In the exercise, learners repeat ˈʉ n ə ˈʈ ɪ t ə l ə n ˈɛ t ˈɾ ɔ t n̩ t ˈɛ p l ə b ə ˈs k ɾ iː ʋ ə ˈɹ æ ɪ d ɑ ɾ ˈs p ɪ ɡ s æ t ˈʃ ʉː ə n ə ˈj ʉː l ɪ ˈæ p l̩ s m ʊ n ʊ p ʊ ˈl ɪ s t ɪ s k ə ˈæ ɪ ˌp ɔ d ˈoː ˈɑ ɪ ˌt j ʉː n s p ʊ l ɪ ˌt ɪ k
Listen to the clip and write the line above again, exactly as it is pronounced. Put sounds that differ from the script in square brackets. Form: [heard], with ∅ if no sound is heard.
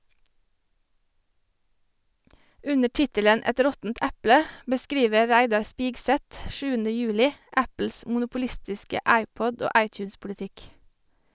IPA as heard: ˈʉ n ə ˈʈ ɪ t ə l ə n ˈɛ t ˈɾ ɔ t n̩ t ˈɛ p l ə b ə ˈs k ɾ iː ʋ ə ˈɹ æ ɪ d ɑ ɾ ˈs p ɪ ɡ s [ɛ] t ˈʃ ʉː ə n ə ˈj ʉː l ɪ ˈæ p l̩ s m ʊ n ʊ p ʊ ˈl ɪ s t ɪ s k ə ˈæ ɪ ˌp ɔ d ˈoː ˈɑ ɪ ˌt j ʉː n s p ʊ l ɪ ˌt ɪ k